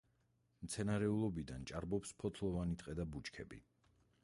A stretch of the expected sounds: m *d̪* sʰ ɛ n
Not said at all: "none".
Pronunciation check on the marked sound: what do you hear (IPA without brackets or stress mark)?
t̪